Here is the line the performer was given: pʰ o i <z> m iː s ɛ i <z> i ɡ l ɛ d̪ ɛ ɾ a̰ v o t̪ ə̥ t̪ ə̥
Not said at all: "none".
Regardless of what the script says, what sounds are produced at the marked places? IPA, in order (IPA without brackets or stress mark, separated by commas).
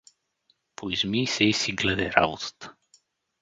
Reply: z, s